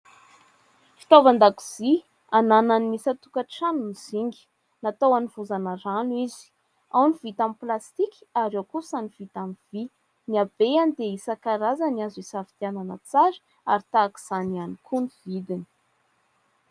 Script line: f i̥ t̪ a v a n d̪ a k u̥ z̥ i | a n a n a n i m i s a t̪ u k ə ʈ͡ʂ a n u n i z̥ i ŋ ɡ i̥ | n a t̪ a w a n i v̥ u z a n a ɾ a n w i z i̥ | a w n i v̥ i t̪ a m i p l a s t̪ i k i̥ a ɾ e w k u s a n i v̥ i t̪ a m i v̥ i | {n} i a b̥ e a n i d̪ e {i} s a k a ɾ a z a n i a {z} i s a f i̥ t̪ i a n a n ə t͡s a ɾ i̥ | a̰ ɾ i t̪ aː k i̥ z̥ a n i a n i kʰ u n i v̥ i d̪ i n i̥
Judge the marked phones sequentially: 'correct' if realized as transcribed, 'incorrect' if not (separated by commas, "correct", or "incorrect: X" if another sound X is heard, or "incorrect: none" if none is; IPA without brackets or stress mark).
correct, correct, correct